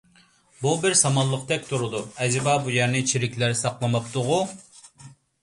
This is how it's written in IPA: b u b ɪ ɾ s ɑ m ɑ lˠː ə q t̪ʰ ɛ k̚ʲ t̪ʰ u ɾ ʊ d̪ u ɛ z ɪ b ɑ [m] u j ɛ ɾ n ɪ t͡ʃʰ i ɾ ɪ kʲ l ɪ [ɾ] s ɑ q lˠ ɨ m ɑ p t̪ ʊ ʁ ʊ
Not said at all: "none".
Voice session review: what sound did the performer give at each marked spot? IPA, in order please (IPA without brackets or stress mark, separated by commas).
b, ɾ